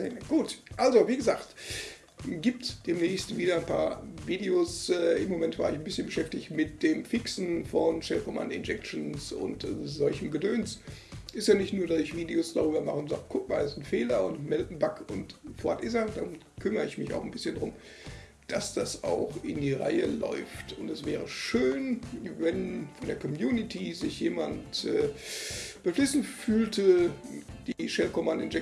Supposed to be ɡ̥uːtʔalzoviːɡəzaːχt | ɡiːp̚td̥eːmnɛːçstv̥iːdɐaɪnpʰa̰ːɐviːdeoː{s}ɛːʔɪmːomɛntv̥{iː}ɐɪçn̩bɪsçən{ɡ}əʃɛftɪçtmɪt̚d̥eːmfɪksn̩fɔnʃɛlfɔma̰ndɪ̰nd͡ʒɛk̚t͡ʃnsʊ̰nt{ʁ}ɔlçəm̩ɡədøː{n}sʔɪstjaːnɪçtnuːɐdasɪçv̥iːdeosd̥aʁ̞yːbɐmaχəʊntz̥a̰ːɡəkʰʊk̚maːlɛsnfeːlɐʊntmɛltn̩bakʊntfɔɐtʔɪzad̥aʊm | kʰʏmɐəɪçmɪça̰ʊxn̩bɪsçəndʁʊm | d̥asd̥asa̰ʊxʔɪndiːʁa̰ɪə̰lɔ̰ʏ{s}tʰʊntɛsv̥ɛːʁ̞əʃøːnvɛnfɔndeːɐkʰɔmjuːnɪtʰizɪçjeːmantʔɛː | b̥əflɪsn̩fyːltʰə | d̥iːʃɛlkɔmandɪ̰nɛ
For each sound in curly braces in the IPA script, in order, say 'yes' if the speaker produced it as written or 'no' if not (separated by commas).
yes, no, no, no, yes, no